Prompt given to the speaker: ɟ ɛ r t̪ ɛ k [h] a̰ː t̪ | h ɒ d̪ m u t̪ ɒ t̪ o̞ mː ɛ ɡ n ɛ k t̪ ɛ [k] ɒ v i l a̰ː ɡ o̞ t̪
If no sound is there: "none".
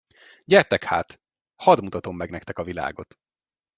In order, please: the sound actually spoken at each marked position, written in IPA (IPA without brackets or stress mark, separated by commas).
h, k